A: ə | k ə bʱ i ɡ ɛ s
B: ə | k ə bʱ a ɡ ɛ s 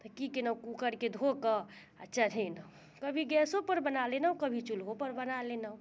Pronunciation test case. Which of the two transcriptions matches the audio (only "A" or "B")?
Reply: A